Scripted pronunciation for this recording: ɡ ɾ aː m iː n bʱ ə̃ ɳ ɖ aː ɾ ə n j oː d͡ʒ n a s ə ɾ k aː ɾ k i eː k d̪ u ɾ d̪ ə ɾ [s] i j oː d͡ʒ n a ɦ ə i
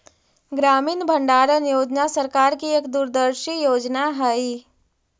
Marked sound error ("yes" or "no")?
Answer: yes